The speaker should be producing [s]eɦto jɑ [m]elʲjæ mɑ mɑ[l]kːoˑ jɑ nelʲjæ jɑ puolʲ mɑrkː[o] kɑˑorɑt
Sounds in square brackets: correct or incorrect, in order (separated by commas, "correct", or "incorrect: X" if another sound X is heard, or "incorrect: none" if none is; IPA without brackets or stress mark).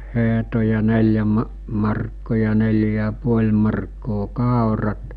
incorrect: h, incorrect: n, incorrect: r, incorrect: oː